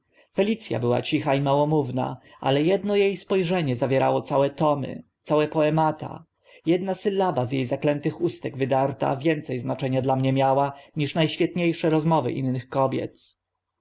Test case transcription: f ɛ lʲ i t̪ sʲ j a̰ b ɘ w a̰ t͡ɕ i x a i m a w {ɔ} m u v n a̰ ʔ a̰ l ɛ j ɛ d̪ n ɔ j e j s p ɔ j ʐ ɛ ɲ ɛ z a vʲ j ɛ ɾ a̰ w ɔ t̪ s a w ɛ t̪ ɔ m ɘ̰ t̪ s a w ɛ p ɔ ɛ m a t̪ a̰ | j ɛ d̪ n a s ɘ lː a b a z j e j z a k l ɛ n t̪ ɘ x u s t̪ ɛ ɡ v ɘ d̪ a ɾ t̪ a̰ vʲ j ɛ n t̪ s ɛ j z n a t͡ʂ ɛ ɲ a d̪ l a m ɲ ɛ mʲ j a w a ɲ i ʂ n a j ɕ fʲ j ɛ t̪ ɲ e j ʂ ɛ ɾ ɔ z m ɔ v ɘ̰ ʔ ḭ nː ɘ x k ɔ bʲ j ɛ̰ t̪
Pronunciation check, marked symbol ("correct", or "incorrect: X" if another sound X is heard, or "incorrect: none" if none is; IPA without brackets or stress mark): correct